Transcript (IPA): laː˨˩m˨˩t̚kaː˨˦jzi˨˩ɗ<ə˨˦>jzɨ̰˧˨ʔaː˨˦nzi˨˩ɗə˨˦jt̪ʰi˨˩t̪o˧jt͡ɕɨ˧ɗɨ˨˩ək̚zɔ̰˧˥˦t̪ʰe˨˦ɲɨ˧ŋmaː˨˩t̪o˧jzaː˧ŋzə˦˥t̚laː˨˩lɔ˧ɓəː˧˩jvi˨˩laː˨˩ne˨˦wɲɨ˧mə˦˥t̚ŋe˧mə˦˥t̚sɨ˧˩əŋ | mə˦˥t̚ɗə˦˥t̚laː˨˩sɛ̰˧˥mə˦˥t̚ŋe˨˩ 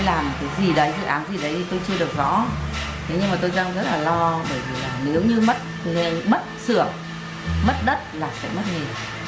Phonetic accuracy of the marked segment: correct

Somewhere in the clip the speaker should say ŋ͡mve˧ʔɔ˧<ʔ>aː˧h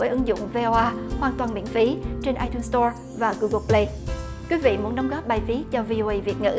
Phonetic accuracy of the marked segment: correct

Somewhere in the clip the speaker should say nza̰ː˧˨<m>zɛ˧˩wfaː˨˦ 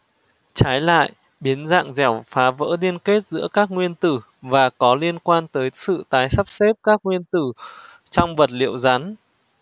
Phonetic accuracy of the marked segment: incorrect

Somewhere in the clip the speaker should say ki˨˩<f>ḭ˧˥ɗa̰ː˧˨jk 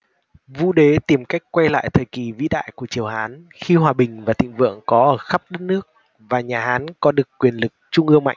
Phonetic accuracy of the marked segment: incorrect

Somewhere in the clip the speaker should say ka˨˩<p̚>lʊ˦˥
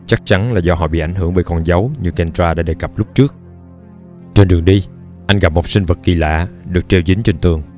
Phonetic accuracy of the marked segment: correct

